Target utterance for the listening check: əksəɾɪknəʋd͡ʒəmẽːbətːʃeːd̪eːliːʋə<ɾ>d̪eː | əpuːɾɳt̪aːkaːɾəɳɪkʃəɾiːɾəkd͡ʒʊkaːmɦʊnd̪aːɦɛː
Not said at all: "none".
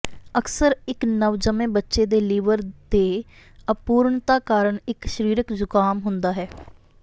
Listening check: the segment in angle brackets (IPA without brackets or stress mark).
ɾ